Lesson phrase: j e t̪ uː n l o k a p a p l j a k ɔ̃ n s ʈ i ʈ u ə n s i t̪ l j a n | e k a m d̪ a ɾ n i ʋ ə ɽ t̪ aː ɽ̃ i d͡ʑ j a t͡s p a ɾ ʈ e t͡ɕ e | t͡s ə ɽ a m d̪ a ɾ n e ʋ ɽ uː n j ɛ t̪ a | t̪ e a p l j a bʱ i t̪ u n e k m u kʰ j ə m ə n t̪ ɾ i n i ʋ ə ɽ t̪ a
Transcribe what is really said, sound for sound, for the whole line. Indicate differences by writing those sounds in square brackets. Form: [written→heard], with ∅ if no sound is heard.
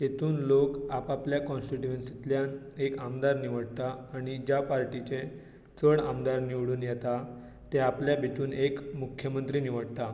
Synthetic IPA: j e t̪ uː n l o k a p a p l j a k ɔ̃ n s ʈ i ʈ u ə n s i t̪ l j a n | e k a m d̪ a ɾ n i ʋ ə ɽ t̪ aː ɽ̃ i d͡ʑ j a [t͡s→∅] p a ɾ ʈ [e→i] t͡ɕ e | t͡s ə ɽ a m d̪ a ɾ n [e→i] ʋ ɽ uː n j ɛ t̪ a | t̪ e a p l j a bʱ i t̪ [u→uː] n e k m u kʰ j ə m ə n t̪ ɾ i n i ʋ ə ɽ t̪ a